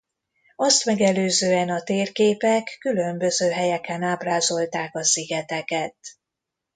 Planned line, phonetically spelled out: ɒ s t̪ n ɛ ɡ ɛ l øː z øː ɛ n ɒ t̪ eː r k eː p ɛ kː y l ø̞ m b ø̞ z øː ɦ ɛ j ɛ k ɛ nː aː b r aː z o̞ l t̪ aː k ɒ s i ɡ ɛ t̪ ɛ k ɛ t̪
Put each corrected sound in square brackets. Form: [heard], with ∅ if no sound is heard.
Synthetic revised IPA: ɒ s t̪ [m] ɛ ɡ ɛ l øː z øː ɛ n ɒ t̪ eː r k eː p ɛ kː y l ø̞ m b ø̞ z øː ɦ ɛ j ɛ k ɛ [n] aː b r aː z o̞ l t̪ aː k ɒ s i ɡ ɛ t̪ ɛ k ɛ t̪

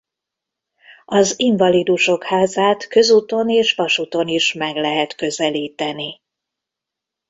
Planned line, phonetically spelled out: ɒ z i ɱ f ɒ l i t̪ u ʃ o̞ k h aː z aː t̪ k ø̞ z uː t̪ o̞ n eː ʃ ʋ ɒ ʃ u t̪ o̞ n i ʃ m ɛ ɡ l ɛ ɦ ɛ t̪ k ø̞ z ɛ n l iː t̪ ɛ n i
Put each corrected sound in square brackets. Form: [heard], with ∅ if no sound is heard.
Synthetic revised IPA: ɒ z i ɱ [v] ɒ l i [d̪] u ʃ o̞ k h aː z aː t̪ k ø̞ z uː t̪ o̞ n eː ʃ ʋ ɒ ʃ u t̪ o̞ n i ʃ m ɛ ɡ l ɛ ɦ ɛ t̪ k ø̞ z ɛ [∅] l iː t̪ ɛ n i

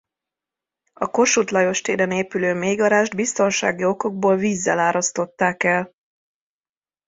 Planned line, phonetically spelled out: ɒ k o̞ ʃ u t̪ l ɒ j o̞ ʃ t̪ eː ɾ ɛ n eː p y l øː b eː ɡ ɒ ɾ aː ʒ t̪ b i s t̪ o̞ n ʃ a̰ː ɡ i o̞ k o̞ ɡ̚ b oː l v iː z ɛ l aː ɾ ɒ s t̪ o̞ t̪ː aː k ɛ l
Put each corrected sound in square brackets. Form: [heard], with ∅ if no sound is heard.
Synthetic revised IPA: ɒ k o̞ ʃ u t̪ l ɒ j o̞ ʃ t̪ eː ɾ ɛ n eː p y l øː [m] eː ɡ ɒ ɾ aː ʒ [d̪] b i s t̪ o̞ n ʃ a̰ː ɡ i o̞ k o̞ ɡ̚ b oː l v iː [zː] ɛ l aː ɾ ɒ s t̪ o̞ t̪ː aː k ɛ l

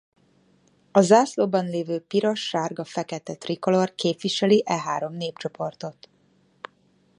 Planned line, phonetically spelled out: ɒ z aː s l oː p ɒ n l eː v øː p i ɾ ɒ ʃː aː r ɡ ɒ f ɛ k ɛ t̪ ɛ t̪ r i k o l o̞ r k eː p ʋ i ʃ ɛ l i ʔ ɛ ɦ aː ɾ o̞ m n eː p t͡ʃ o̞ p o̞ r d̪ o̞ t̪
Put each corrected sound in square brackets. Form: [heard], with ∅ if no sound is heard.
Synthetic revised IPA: ɒ z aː s l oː [b] ɒ n l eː v øː p i ɾ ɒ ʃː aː r ɡ ɒ f ɛ k ɛ t̪ ɛ t̪ r i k o l o̞ r k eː p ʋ i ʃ ɛ l i ʔ ɛ ɦ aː ɾ o̞ m n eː p t͡ʃ o̞ p o̞ r [t̪] o̞ t̪

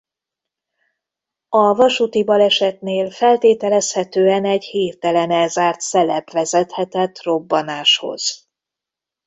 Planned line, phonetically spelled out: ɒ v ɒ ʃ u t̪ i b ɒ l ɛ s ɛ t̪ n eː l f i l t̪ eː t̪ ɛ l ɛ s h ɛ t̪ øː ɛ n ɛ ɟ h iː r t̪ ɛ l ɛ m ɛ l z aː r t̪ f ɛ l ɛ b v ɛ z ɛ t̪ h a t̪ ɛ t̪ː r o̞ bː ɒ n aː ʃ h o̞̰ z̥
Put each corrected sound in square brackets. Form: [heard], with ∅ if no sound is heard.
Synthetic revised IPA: ɒ v ɒ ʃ u t̪ i b ɒ l ɛ [ʃ] ɛ t̪ n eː l f [ɛ] l t̪ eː t̪ ɛ l ɛ s h ɛ t̪ øː ɛ n ɛ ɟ h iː r t̪ ɛ l ɛ [n] ɛ l z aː r t̪ [s] ɛ l ɛ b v ɛ z ɛ t̪ h [ɛ] t̪ ɛ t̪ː r o̞ bː ɒ n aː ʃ h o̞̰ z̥

